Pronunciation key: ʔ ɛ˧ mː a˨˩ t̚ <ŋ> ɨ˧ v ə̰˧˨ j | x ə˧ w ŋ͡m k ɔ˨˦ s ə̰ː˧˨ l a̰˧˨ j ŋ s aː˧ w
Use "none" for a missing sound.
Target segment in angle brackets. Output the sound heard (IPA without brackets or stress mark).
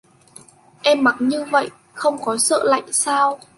ɲ